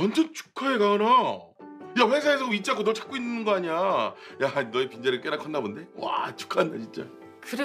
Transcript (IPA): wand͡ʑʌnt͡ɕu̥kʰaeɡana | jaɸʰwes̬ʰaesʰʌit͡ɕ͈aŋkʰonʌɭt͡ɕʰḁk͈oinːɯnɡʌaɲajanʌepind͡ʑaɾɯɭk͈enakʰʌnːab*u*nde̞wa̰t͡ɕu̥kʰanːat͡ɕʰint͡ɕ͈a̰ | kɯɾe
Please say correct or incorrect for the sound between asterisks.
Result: incorrect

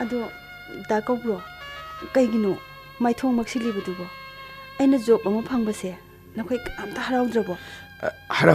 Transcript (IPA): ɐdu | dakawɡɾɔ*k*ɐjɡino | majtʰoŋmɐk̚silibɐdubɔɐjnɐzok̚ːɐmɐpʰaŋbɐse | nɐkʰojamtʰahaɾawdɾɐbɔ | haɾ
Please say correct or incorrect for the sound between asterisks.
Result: correct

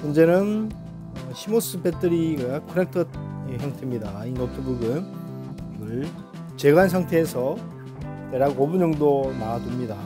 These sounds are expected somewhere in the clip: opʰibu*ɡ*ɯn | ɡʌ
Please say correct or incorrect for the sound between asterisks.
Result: correct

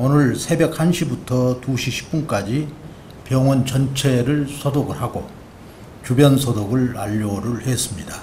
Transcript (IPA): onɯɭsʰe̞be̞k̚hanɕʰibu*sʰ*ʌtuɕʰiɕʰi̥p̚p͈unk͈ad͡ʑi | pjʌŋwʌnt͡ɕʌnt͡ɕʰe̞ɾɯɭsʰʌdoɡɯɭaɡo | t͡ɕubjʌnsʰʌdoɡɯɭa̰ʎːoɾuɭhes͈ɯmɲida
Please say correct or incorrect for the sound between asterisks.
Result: incorrect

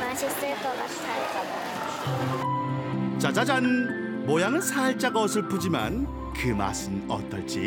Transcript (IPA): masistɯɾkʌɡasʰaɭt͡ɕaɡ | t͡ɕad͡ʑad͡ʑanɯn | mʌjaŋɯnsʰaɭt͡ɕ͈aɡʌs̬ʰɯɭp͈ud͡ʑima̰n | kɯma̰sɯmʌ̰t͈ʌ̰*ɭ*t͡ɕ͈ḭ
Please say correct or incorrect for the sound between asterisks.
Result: correct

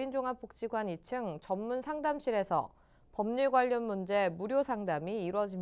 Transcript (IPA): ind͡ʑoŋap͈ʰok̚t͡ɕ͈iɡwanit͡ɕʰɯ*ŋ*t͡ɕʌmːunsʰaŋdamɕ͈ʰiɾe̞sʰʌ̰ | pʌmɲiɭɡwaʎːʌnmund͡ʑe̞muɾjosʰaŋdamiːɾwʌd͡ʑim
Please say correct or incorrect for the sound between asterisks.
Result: correct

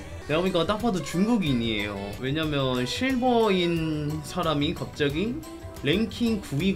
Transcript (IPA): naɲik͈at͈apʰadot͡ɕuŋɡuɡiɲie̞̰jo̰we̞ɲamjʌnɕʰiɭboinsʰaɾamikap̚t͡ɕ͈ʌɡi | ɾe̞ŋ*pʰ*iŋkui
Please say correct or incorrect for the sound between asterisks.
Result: incorrect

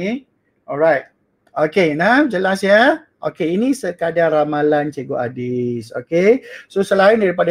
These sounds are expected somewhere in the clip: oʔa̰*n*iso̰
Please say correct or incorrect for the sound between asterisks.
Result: incorrect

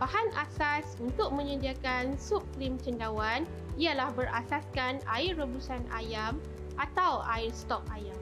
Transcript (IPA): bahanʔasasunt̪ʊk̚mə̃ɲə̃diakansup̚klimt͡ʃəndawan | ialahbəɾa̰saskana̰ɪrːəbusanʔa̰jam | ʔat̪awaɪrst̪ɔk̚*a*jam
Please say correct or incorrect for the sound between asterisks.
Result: correct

